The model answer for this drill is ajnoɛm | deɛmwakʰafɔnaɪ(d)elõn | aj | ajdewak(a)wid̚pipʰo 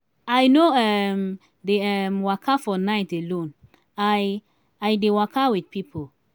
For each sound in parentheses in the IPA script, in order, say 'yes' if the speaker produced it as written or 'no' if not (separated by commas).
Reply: no, yes